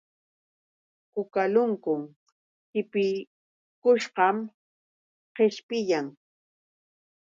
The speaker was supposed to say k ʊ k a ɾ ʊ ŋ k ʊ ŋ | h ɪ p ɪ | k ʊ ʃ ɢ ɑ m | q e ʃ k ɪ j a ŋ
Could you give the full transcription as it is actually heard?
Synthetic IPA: k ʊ k a l ʊ ŋ k ʊ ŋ | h ɪ p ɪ | k ʊ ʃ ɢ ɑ m | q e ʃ p ɪ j a ŋ